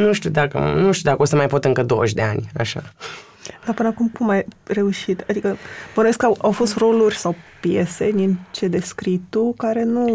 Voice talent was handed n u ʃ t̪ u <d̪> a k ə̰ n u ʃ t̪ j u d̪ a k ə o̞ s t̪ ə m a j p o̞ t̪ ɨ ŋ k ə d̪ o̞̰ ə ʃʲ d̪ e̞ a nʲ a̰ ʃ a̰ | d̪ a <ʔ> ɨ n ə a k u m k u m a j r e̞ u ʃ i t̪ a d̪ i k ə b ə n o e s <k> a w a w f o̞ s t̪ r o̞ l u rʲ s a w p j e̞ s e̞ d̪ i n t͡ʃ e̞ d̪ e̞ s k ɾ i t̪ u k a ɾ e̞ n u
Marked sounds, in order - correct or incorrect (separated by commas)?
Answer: correct, incorrect, correct